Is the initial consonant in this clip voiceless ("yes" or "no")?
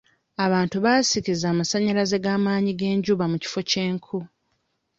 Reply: no